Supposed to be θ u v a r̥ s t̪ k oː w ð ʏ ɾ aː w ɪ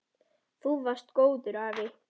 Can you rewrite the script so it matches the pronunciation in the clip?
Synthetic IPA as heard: θ u v a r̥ s t̪ k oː w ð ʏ ɾ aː v ɪ